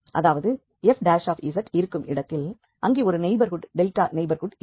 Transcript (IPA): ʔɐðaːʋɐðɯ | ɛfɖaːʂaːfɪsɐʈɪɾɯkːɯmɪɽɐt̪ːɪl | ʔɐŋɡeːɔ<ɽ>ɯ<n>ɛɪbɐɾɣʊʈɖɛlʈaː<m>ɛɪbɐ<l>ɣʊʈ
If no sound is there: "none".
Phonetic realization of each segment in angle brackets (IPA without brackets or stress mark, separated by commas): ɾ, n, n, ɾ